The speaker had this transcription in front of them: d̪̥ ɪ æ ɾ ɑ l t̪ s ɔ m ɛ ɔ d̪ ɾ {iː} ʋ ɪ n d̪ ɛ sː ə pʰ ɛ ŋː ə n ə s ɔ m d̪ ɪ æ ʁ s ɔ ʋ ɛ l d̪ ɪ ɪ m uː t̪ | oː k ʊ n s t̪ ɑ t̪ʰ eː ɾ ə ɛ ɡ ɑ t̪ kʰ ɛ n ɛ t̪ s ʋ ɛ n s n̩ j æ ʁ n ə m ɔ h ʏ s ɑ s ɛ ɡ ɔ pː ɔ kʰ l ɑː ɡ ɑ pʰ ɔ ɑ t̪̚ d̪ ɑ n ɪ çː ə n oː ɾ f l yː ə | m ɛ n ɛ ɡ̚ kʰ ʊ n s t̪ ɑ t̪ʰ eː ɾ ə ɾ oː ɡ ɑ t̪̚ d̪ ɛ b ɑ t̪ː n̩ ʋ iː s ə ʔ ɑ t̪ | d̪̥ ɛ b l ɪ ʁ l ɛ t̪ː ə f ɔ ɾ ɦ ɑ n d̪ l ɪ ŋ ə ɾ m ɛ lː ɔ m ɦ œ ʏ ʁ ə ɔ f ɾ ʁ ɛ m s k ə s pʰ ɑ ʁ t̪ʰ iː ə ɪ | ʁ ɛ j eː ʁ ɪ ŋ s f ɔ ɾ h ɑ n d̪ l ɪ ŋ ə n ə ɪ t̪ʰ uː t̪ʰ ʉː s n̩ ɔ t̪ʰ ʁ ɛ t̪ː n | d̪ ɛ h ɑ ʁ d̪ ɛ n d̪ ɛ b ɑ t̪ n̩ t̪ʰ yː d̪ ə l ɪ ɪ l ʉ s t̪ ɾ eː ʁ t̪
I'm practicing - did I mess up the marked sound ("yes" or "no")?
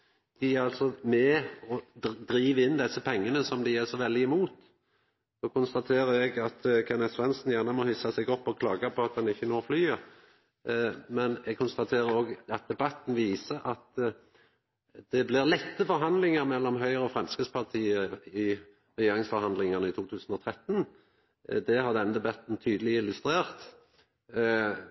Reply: no